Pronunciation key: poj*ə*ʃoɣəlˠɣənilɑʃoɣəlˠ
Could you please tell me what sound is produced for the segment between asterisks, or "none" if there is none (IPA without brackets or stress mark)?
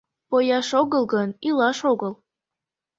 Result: ɑ